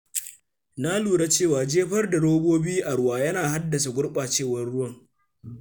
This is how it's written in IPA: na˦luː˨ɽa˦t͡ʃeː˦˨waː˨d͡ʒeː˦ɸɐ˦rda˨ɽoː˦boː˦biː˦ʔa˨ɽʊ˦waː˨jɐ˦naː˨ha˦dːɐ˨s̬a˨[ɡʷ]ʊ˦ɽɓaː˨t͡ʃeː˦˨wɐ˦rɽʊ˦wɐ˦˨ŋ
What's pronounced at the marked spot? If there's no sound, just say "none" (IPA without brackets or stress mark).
ɡʷ